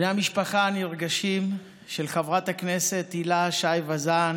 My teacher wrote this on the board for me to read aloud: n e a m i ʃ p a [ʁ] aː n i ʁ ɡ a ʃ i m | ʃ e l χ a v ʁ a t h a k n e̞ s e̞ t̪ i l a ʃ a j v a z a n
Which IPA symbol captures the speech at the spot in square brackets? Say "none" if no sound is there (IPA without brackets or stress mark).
χ